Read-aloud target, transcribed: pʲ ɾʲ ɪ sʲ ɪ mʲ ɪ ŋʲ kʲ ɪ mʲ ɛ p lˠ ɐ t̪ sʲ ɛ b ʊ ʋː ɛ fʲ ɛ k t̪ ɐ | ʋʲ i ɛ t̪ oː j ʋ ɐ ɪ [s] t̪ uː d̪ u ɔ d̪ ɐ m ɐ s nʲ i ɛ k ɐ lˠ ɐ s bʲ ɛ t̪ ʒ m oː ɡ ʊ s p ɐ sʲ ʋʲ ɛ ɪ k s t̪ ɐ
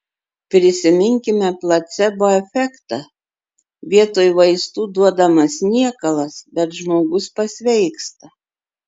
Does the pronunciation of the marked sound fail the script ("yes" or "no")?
no